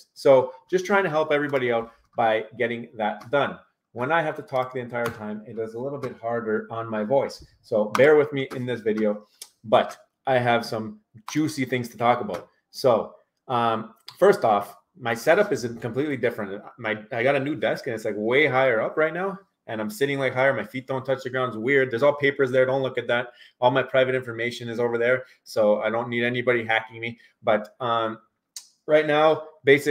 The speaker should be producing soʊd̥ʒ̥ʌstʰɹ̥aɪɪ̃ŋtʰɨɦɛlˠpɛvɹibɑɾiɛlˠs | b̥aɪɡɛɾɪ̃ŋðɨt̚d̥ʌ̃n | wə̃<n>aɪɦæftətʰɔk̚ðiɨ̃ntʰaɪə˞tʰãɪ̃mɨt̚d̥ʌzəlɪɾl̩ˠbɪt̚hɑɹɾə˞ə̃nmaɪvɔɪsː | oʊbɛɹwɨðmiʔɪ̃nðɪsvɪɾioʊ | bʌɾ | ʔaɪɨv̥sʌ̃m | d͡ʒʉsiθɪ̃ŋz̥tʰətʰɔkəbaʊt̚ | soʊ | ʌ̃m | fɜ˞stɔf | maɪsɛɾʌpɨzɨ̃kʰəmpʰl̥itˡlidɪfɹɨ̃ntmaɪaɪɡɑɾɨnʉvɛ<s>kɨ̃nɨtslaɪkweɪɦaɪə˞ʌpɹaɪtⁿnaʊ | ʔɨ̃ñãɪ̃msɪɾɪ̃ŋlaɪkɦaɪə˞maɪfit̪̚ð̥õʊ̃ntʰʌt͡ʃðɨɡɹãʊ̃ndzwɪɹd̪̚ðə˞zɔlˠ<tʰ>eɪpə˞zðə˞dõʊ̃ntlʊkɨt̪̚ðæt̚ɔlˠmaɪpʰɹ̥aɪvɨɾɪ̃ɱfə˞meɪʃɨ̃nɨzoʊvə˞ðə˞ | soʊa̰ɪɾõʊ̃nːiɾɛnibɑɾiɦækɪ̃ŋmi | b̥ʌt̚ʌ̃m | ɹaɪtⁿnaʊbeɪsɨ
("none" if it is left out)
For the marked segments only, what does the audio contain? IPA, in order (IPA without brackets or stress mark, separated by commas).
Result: n, s, pʰ